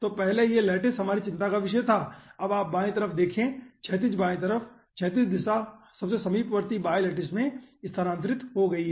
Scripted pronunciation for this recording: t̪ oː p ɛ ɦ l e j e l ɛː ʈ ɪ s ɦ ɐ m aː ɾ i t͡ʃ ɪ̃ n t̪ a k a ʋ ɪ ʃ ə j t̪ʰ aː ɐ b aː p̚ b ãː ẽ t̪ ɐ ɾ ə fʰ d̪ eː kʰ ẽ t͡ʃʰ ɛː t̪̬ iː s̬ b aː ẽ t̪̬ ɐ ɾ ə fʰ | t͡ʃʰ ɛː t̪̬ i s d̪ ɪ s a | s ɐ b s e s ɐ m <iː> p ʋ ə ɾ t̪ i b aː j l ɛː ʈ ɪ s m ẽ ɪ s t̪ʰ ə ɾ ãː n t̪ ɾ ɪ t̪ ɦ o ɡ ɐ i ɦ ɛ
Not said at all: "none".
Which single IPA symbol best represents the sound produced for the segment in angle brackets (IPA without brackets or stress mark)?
iː